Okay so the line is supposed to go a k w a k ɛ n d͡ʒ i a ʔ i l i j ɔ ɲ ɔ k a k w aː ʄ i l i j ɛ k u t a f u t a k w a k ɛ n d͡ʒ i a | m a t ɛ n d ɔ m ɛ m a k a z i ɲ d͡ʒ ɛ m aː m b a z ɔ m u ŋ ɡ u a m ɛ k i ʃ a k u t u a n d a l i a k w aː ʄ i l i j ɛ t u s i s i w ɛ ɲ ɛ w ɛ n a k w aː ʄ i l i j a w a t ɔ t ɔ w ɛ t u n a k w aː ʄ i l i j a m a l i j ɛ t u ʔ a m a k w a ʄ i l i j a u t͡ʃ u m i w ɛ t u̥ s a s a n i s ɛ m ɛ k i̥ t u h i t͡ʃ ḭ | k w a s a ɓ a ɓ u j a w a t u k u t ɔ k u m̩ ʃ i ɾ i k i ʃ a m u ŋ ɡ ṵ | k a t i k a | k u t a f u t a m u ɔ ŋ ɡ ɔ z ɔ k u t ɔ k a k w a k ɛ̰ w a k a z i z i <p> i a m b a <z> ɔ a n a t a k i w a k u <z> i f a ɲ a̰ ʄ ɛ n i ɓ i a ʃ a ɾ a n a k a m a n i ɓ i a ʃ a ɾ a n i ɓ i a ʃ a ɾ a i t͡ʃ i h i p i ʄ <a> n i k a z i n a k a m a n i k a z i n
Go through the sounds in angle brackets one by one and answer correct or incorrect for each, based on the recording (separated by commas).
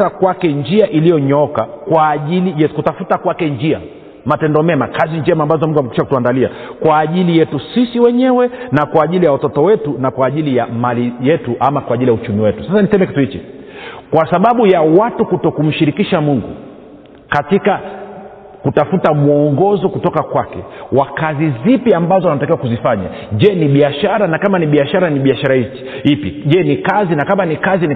correct, correct, correct, incorrect